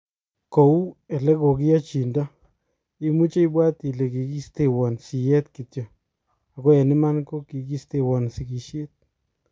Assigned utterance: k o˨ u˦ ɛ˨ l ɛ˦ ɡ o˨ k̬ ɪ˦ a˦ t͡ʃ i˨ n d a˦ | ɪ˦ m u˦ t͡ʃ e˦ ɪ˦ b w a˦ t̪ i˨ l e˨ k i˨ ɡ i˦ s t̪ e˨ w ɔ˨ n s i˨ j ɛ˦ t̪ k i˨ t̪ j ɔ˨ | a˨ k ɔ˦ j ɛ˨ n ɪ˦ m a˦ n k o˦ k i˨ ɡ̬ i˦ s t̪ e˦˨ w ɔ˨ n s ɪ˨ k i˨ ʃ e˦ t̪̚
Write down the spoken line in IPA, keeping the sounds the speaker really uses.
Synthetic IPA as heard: k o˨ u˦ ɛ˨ l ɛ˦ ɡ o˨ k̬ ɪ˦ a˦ t͡ʃ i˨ n d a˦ | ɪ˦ m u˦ t͡ʃ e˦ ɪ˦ b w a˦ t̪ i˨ l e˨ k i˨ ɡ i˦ s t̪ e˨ w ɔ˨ n s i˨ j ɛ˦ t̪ k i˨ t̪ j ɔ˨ | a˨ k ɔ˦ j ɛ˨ n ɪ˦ m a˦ n k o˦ k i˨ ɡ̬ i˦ s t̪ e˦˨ w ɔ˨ n s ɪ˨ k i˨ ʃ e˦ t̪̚